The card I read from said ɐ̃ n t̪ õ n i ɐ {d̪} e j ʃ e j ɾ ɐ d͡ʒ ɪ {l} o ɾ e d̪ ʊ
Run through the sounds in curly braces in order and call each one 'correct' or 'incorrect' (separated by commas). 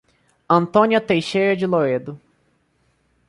incorrect, correct